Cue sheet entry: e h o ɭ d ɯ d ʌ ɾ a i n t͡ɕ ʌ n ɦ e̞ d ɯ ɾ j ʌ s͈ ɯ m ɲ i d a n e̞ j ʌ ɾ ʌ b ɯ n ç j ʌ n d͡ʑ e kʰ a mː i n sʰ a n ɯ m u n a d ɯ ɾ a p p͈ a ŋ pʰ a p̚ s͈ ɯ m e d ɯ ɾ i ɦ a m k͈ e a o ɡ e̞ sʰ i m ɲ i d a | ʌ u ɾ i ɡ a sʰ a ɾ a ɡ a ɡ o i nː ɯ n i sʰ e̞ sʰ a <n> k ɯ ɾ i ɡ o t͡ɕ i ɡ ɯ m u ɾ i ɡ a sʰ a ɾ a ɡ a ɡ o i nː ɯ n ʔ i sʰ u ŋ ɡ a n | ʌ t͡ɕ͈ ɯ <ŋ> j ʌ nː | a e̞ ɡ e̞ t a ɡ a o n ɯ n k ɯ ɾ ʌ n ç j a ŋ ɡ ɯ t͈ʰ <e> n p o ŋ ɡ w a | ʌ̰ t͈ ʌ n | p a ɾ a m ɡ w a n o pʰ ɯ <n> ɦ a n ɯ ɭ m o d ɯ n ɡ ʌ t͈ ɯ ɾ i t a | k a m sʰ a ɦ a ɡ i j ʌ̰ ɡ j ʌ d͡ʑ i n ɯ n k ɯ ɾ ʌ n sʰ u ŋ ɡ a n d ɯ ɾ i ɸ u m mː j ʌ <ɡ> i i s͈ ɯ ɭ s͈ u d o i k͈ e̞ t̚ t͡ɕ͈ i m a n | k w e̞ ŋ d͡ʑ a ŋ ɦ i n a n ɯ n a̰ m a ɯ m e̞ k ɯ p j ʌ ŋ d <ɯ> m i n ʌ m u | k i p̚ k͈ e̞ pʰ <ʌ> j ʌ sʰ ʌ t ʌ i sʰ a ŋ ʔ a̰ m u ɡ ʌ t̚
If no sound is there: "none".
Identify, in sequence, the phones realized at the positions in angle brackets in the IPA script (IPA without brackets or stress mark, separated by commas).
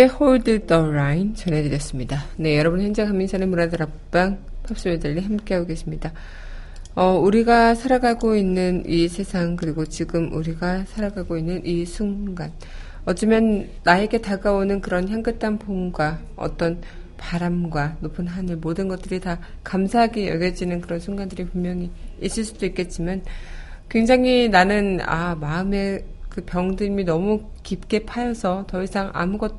ŋ, m, a, n, ŋ, ɯ, a